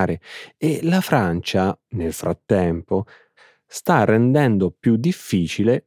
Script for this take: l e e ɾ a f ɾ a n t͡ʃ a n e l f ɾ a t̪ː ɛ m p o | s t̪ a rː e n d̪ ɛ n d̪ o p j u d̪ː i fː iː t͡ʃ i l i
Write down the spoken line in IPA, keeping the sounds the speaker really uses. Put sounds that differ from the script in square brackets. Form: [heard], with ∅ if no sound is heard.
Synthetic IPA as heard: [ɾ] e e [l] a f ɾ a n t͡ʃ a n e l f ɾ a t̪ː ɛ m p o | s t̪ a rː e n d̪ ɛ n d̪ o p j u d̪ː i fː iː t͡ʃ i l [e]